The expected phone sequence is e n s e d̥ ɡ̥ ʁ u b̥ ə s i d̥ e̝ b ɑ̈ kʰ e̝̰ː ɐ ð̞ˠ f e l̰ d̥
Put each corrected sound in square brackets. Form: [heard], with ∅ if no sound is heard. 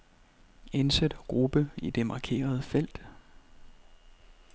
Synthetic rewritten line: e n s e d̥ ɡ̥ ʁ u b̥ ə [∅] i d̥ e̝ [m] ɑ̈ kʰ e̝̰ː ɐ ð̞ˠ f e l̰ d̥